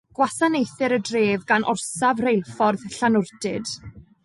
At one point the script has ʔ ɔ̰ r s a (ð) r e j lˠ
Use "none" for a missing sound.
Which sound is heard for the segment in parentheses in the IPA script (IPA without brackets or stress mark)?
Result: v